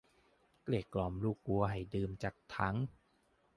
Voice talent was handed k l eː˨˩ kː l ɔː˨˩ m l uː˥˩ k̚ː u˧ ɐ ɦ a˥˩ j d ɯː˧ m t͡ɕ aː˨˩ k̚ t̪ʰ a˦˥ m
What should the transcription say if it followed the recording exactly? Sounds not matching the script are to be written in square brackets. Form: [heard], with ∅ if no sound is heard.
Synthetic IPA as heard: k l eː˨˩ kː l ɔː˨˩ m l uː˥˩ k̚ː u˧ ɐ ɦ [a˨˩] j d ɯː˧ m t͡ɕ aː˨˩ k̚ t̪ʰ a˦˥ [ŋ]